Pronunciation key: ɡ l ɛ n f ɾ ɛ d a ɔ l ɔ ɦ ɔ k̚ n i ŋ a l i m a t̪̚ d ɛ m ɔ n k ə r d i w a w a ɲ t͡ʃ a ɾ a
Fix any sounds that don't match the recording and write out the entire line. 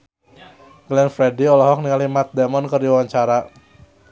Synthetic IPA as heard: ɡ l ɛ n f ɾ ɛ d i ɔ l ɔ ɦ ɔ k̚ n i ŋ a l i m a t̪̚ d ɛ m ɔ n k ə r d i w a w a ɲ t͡ʃ a ɾ a